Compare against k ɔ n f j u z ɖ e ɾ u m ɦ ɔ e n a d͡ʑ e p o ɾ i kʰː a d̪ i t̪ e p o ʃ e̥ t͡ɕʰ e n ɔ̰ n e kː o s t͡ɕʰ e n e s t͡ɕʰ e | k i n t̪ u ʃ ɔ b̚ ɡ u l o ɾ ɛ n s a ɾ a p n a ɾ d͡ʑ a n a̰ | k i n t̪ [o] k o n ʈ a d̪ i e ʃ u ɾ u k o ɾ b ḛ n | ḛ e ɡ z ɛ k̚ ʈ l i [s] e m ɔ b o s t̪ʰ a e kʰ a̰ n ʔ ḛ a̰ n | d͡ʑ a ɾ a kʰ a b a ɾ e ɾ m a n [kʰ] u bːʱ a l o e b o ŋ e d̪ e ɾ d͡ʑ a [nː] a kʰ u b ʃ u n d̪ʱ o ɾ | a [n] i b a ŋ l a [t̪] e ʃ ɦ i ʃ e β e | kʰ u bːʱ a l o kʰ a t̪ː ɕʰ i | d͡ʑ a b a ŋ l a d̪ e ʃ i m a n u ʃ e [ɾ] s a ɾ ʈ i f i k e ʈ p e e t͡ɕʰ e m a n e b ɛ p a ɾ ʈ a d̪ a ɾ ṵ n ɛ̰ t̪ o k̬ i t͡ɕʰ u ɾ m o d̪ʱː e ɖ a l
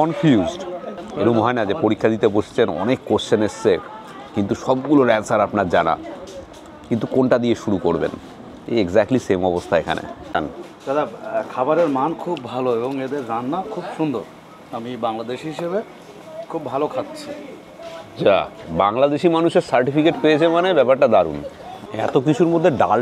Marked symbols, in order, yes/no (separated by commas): no, yes, yes, yes, no, no, yes